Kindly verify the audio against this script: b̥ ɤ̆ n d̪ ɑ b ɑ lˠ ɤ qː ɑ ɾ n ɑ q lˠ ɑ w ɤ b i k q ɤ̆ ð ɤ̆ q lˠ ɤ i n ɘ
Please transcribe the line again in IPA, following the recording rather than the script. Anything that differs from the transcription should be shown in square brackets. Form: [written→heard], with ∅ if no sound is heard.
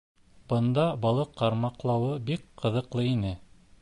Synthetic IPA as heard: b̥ ɤ̆ n d̪ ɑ b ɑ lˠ ɤ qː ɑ ɾ [n→m] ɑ q lˠ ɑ w ɤ b i k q ɤ̆ ð ɤ̆ q lˠ ɤ i n ɘ